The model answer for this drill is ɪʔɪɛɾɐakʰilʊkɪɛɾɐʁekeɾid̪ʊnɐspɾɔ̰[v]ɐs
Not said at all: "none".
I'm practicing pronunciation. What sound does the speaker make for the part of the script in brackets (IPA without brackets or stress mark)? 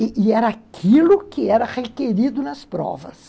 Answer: v